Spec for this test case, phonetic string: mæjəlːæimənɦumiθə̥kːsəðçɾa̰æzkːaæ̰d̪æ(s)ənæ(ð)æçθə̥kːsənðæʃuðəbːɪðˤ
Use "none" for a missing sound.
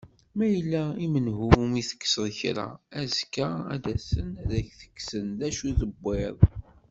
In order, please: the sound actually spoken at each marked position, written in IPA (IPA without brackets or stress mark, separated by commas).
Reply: s, ð